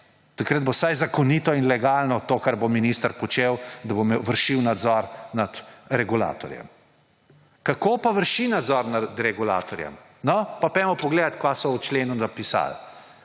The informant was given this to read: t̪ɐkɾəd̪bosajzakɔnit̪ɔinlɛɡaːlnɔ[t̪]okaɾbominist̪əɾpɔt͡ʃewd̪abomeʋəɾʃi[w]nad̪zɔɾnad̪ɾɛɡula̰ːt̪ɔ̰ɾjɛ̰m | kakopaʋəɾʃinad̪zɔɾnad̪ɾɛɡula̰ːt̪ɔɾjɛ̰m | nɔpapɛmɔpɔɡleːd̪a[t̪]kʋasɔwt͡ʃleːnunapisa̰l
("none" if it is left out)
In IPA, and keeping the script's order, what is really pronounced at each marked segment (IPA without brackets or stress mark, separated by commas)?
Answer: t̪, w, t̪